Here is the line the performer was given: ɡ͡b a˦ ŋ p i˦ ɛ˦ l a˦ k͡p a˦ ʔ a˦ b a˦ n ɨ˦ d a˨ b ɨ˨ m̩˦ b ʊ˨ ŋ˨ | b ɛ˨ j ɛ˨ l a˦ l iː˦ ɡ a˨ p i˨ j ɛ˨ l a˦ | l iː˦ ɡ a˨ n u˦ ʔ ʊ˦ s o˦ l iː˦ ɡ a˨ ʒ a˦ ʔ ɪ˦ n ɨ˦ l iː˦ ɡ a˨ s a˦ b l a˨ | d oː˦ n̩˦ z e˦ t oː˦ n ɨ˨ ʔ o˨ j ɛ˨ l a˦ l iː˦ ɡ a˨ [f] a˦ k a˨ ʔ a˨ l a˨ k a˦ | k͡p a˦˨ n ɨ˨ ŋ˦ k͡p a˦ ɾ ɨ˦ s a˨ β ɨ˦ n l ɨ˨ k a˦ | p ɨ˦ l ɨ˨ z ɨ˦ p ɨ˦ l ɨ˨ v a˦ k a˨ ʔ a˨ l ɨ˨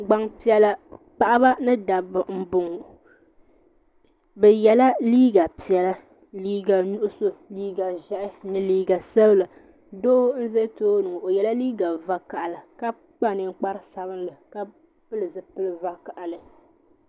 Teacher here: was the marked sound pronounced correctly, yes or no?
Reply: no